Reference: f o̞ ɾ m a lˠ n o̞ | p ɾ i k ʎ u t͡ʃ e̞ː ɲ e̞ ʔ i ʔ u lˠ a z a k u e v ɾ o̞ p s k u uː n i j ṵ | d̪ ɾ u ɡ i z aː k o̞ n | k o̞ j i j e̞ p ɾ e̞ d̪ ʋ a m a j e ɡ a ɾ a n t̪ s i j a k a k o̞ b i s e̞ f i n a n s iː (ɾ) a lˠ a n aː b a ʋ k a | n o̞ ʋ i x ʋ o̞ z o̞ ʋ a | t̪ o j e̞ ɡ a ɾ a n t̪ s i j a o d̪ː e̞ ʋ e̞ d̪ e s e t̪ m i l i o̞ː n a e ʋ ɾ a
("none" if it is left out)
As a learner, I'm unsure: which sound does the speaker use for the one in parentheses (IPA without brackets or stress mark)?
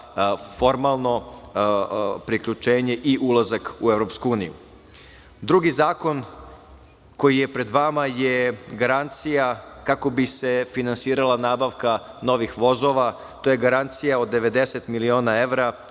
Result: ɾ